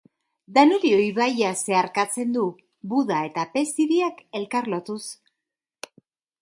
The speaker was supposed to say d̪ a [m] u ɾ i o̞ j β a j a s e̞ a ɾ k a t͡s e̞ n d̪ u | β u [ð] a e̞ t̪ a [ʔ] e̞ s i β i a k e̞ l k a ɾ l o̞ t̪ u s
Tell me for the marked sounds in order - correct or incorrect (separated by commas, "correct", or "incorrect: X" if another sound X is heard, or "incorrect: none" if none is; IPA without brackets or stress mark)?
incorrect: n, correct, incorrect: p